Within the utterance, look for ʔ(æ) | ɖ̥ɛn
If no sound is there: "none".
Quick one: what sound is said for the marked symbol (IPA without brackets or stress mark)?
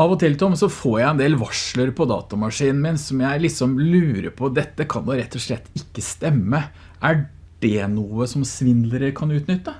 æ